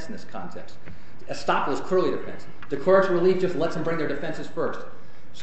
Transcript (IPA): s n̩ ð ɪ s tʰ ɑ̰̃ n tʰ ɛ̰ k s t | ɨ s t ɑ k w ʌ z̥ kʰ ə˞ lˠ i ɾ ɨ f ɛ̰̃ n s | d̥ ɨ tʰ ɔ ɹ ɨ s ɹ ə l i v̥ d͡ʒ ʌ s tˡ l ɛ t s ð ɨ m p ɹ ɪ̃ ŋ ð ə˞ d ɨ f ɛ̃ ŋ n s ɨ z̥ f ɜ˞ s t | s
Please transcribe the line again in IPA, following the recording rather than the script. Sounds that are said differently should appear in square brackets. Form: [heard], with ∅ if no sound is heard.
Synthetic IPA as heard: s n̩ ð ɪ s [kʰ] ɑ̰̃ n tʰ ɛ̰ k s t | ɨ s t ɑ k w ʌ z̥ kʰ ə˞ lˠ i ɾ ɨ f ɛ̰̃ n s | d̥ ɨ [kʰ] ɔ ɹ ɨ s ɹ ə l i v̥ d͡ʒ ʌ s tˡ l ɛ t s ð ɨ m [b] ɹ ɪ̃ ŋ ð ə˞ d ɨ f ɛ̃ [∅] n s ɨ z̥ f ɜ˞ s t | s